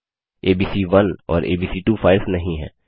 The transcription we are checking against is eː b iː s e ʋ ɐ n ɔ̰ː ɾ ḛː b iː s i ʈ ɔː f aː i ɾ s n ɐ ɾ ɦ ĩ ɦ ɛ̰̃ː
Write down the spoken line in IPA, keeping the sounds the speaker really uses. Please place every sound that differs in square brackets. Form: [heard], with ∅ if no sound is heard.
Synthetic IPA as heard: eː b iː s [i] ʋ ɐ n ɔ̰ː ɾ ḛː b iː s i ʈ [uː] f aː [ɪ] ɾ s n ɐ [∅] ɦ ĩ ɦ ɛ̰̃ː